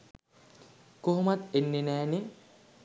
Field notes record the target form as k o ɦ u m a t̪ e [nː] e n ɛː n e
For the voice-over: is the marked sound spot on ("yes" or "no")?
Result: yes